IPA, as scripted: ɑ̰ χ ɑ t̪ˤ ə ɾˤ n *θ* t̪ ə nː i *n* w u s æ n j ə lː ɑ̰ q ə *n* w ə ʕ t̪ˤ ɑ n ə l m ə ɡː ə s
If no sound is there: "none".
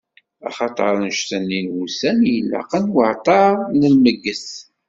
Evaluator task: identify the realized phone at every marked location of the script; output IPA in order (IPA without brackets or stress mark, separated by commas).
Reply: ʃ, n, n